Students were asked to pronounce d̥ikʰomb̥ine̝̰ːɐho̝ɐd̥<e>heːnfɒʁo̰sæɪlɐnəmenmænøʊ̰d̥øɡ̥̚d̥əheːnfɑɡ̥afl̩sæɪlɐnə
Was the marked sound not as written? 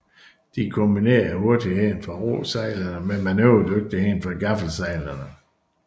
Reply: yes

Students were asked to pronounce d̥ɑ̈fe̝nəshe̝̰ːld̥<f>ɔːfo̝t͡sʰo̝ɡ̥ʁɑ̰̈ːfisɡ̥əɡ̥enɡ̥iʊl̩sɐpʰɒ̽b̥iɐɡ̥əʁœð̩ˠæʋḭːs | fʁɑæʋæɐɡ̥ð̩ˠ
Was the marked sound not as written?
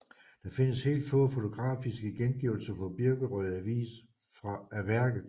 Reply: no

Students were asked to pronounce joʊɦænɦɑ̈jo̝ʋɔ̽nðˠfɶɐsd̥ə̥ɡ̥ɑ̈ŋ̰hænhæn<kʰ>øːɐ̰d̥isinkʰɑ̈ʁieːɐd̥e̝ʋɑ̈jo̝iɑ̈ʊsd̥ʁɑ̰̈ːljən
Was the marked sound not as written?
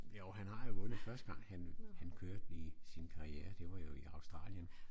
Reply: no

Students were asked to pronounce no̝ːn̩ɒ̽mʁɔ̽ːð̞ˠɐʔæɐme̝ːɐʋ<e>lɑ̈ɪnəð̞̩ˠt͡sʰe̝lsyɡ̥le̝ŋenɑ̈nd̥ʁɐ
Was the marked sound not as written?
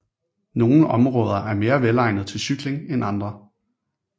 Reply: no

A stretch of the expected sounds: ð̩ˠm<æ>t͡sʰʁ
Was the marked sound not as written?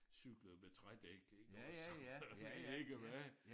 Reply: yes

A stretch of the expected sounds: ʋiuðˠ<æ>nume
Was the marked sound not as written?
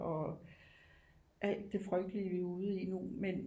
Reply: yes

